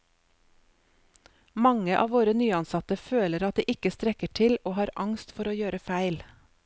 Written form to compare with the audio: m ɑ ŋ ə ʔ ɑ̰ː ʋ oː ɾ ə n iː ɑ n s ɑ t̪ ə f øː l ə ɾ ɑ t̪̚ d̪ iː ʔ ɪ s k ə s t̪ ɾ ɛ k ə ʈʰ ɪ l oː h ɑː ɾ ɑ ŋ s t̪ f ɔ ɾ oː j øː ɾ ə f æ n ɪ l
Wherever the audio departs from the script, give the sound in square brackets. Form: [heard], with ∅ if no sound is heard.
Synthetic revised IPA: m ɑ ŋ ə ʔ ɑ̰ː ʋ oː ɾ ə n [yː] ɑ n s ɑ t̪ ə f øː l ə ɾ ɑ t̪̚ d̪ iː ʔ ɪ [∅] k ə s t̪ ɾ ɛ k ə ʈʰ ɪ l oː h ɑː ɾ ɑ ŋ s t̪ f ɔ ɾ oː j øː ɾ ə f æ [∅] ɪ l

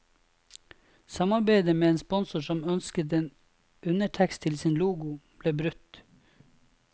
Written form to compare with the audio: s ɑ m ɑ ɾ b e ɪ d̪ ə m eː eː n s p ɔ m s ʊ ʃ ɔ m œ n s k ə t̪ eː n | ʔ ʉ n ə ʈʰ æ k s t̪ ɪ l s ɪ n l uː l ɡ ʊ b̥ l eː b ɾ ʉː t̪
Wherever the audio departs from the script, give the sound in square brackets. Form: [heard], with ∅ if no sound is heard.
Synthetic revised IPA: s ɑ m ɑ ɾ b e ɪ d̪ ə m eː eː n s p ɔ [n] s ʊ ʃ ɔ m œ n s k ə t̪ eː n | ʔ ʉ n ə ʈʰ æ k s [t̪ʰ] ɪ l s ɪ n l uː [∅] ɡ ʊ b̥ l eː b ɾ [ʉ] t̪

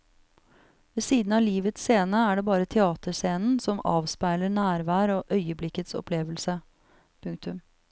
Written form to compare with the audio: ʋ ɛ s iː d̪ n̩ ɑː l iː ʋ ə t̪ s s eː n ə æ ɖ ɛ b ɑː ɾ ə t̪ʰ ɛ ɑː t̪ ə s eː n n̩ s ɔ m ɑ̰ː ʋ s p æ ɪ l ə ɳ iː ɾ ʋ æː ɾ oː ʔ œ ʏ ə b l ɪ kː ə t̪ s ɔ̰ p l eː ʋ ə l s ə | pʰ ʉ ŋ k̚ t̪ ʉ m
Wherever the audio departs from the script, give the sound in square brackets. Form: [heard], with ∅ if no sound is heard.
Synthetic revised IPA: ʋ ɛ s iː d̪ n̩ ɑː l iː ʋ ə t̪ s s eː n ə æ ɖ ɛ b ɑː ɾ ə t̪ʰ ɛ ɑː t̪ ə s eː n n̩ s ɔ m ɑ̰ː ʋ s p æ ɪ l ə ɳ [æː] ɾ ʋ æː ɾ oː ʔ œ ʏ ə b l ɪ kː ə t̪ s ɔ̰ p l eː ʋ ə l s ə | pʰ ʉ ŋ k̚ t̪ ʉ m

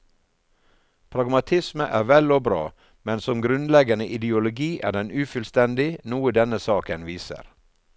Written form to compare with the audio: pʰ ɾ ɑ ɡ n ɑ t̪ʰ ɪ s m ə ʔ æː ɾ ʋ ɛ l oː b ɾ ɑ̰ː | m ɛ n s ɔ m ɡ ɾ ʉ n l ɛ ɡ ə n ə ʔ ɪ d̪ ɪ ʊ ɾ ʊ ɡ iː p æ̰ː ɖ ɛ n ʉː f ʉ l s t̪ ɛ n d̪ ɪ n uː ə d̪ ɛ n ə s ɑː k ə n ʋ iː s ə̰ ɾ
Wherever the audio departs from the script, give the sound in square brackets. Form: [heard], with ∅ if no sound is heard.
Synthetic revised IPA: pʰ ɾ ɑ ɡ [m] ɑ t̪ʰ ɪ s m ə ʔ æː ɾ ʋ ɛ l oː b ɾ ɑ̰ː | m ɛ n s ɔ m ɡ ɾ ʉ n l ɛ ɡ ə n ə ʔ ɪ d̪ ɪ ʊ [l] ʊ ɡ iː [ʔ] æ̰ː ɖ ɛ n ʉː f ʉ l s t̪ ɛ n d̪ ɪ n uː ə d̪ ɛ n ə s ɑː k ə n ʋ iː s ə̰ ɾ

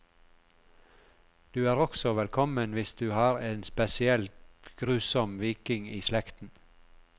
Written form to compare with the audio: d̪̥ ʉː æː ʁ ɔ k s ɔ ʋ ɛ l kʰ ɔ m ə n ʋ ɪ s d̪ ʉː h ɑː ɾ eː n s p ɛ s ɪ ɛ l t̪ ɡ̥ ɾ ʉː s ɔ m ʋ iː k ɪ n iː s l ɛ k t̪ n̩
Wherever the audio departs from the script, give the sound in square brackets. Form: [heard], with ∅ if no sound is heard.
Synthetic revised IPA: d̪̥ ʉː æː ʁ ɔ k s ɔ ʋ ɛ l kʰ ɔ m ə n ʋ ɪ s d̪ ʉː h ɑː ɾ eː n s p ɛ s ɪ ɛ l t̪ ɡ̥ ɾ ʉː s ɔ m ʋ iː k ɪ [ŋ] iː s l ɛ k t̪ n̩

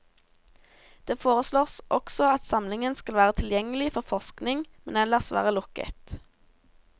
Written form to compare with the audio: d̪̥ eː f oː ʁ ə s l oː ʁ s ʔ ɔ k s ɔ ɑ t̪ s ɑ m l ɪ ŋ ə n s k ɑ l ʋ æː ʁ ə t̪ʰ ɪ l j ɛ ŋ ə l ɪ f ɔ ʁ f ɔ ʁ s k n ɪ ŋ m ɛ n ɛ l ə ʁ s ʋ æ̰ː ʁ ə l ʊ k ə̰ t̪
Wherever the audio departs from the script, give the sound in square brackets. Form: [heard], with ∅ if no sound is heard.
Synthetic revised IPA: d̪̥ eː f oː ʁ ə s l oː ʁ s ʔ ɔ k s ɔ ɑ t̪ s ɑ m l ɪ ŋ ə n s k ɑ l ʋ æː ʁ ə t̪ʰ ɪ l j ɛ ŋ ə l ɪ f ɔ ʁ f ɔ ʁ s k n ɪ ŋ m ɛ n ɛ l ə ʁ s ʋ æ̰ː ʁ ə l ʊ k ə̰ t̪

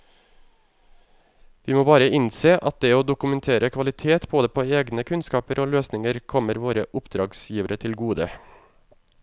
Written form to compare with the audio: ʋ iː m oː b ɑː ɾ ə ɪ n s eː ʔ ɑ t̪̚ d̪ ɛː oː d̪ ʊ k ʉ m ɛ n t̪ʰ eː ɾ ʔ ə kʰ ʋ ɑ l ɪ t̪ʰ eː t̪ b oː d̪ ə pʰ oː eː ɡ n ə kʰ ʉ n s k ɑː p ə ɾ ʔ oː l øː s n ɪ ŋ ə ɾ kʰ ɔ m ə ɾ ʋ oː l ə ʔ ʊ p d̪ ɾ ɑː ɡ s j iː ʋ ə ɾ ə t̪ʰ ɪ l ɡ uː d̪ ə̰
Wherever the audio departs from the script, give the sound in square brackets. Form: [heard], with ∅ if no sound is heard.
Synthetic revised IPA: ʋ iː m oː b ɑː ɾ ə ɪ n s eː ʔ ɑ t̪̚ d̪ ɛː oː d̪ ʊ k ʉ m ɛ n t̪ʰ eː ɾ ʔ ə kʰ ʋ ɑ l ɪ t̪ʰ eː t̪ b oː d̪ ə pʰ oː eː ɡ n ə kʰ ʉ n s k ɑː p ə ɾ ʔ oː l øː s n ɪ ŋ ə ɾ kʰ ɔ m ə ɾ ʋ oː [ɾ] ə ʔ ʊ p d̪ ɾ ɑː ɡ s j iː ʋ ə ɾ ə t̪ʰ ɪ l ɡ uː d̪ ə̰

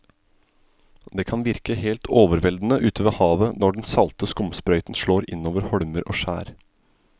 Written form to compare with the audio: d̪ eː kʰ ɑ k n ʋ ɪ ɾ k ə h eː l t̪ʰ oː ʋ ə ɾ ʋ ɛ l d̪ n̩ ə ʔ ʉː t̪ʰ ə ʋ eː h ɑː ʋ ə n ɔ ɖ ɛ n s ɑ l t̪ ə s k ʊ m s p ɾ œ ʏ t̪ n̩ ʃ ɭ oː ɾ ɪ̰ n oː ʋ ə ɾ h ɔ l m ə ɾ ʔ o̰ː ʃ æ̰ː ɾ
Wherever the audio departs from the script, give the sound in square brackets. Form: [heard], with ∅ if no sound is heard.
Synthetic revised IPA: d̪ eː kʰ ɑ [∅] n ʋ ɪ ɾ k ə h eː l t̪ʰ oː ʋ ə ɾ ʋ ɛ l d̪ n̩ ə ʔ ʉː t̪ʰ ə ʋ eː h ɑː ʋ ə n ɔ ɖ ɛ n s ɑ l t̪ ə s k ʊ m s p ɾ œ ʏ t̪ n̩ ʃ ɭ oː ɾ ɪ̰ n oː ʋ ə ɾ h ɔ [ɽ] m ə ɾ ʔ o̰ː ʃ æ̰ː ɾ

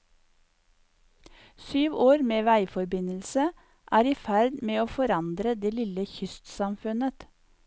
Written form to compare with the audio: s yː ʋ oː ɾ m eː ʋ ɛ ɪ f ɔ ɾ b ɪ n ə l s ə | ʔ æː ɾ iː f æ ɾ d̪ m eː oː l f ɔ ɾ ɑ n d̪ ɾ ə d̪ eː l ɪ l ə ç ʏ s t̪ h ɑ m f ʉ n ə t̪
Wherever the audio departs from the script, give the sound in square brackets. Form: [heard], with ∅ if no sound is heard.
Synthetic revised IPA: s yː ʋ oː ɾ m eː ʋ [æ] ɪ f ɔ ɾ b ɪ n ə l s ə | ʔ æː ɾ iː f æ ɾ d̪ m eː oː [∅] f ɔ ɾ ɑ n d̪ ɾ ə d̪ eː l ɪ l ə ç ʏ s t̪ [s] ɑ m f ʉ n ə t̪

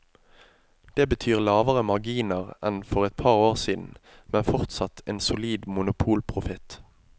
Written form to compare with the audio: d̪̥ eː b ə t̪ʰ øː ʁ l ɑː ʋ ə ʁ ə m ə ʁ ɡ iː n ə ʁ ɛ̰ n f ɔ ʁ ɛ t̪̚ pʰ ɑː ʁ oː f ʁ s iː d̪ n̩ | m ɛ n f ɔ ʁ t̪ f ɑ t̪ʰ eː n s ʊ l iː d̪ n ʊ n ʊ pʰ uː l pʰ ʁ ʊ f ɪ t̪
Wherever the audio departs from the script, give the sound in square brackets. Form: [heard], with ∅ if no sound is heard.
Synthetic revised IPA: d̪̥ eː b ə t̪ʰ [yː] ʁ l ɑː ʋ ə ʁ ə m [ɑ] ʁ ɡ iː n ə ʁ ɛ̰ n f ɔ ʁ ɛ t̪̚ pʰ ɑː ʁ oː [∅] ʁ s iː d̪ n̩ | m ɛ n f ɔ ʁ t̪ [s] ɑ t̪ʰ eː n s ʊ l iː d̪ [m] ʊ n ʊ pʰ uː l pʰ ʁ ʊ f ɪ t̪

